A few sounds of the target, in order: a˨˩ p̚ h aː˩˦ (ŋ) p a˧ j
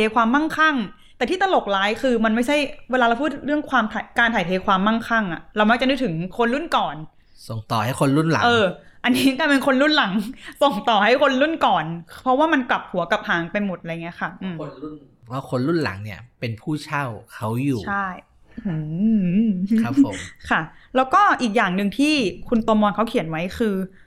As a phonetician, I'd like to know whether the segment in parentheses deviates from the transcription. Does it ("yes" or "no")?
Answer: no